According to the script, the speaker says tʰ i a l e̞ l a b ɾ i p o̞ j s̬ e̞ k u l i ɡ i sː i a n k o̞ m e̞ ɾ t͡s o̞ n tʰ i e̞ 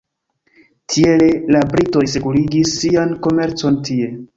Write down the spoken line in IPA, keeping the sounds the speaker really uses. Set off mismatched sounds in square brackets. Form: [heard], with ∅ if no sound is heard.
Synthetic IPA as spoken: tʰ i [e] l e̞ l a b ɾ i [t] o̞ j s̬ e̞ k u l i ɡ i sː i a n k o̞ m e̞ ɾ t͡s o̞ n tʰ i e̞